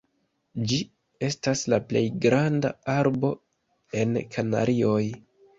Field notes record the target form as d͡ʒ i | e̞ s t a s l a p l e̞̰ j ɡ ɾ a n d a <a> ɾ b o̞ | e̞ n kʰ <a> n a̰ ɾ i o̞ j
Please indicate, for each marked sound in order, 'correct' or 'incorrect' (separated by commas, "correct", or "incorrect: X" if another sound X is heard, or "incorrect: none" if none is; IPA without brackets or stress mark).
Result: correct, correct